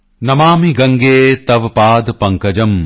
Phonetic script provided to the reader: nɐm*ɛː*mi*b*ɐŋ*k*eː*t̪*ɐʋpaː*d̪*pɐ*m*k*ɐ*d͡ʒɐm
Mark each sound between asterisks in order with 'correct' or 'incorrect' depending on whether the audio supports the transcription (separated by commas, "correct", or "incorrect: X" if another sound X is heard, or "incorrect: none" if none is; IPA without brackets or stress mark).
incorrect: aː, incorrect: ɡ, incorrect: ɡ, correct, correct, incorrect: ŋ, correct